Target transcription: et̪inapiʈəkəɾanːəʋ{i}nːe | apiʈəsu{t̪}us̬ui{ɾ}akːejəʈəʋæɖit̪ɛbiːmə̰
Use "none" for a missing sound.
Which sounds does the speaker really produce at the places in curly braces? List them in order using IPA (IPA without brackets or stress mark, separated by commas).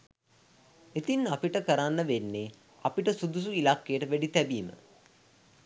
e, d̪, l